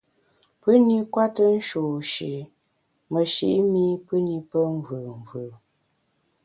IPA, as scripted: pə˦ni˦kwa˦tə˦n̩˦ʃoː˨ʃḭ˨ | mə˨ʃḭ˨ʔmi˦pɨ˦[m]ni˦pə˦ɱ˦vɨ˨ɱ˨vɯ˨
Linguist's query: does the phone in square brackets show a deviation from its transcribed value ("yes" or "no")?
yes